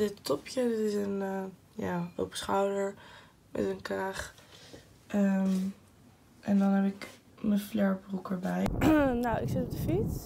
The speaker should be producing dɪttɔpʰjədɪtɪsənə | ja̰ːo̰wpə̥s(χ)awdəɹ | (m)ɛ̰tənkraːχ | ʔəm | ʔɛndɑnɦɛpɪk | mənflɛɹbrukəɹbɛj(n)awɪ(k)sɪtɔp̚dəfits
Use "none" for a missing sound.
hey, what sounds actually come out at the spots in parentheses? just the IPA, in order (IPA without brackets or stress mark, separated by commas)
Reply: χ, m, n, k